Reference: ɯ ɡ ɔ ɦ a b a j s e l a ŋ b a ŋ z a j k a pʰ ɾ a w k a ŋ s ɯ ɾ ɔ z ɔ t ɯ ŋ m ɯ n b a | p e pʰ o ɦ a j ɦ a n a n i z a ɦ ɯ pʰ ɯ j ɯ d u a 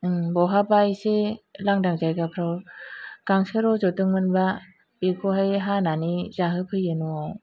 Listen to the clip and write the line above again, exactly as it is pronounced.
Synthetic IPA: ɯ b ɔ ɦ a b a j s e l a ŋ d a ŋ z a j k a pʰ ɾ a w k a ŋ s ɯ ɾ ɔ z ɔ t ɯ ŋ m ɯ n b a | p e kʰ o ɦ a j ɦ a n a n i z a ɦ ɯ pʰ ɯ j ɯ n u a